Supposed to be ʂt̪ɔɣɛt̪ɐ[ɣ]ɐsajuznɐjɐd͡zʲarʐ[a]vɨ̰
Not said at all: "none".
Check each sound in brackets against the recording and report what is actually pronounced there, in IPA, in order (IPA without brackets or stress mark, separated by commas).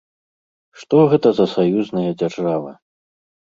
z, a